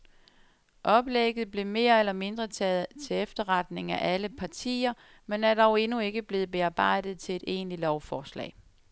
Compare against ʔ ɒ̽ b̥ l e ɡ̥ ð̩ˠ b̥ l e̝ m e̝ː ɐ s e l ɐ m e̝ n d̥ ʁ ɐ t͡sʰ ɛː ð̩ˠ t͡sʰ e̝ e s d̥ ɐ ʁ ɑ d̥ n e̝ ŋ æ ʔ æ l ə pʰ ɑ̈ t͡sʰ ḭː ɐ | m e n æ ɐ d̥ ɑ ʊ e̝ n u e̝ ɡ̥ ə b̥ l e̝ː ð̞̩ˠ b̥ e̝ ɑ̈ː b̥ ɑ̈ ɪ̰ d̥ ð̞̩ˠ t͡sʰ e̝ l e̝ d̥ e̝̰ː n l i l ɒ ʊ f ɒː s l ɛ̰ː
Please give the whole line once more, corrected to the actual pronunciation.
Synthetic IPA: ʔ ɒ̽ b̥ l e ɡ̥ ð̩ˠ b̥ l e̝ m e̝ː ɐ e l ɐ m e̝ n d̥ ʁ ɐ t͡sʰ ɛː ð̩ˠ t͡sʰ e̝ e f d̥ ɐ ʁ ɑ d̥ n e̝ ŋ æ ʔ æ l ə pʰ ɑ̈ t͡sʰ ḭː ɐ | m e n æ ɐ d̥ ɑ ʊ e̝ n u e̝ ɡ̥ ə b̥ l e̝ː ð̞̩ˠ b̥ e̝ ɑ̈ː b̥ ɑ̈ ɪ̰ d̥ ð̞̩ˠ t͡sʰ e̝ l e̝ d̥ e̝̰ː n l i l ɒ ʊ f ɒː s l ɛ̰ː

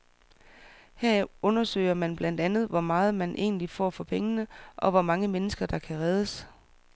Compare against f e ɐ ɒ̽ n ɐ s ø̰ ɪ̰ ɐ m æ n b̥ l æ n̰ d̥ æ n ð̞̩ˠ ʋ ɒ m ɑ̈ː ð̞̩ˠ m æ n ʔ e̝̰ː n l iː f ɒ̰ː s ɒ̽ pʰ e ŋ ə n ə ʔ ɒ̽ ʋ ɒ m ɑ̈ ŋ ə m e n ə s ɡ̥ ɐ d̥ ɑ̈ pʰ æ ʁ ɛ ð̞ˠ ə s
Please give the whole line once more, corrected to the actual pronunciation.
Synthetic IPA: h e ɐ ɔ̽ n ɐ s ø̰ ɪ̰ ɐ m æ n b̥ l æ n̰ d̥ æ n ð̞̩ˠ ʋ ɒ m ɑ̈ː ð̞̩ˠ m æ n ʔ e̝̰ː n l i f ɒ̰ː f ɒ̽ pʰ e ŋ ə n ə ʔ ɒ̽ ʋ ɒ m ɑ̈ ŋ ə m e n ə s ɡ̥ ɐ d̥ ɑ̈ kʰ æ ʁ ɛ ð̞ˠ ə s

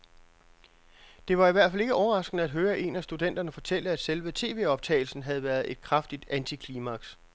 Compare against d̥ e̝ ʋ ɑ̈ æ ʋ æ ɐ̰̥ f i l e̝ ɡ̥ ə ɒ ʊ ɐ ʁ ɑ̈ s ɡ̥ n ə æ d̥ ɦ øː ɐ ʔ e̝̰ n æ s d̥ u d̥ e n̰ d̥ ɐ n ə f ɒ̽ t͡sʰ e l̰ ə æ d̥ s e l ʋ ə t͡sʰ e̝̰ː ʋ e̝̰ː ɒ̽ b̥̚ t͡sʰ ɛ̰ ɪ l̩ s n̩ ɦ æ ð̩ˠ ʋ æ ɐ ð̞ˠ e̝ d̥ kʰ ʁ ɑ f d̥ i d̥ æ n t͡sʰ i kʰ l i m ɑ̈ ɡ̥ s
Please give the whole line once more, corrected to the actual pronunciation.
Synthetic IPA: d̥ e̝ ʋ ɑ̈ i ʋ æ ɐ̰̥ f æ l e̝ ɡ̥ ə ɒ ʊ ɐ ʁ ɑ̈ s ɡ̥ n ə æ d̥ ɦ øː ɐ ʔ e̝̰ n æ s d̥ u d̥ e n̰ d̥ ɐ n ə f ɒ̽ t͡sʰ e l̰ ə æ d̥ s e l ʋ ə t͡sʰ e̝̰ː ʋ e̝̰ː ɒ̽ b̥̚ t͡sʰ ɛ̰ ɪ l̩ s n̩ ɦ æ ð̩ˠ ʋ æ ɐ ð̞ˠ e̝ d̥ kʰ ʁ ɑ f d̥ i d̥ æ n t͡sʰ i kʰ l i m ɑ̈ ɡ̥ s

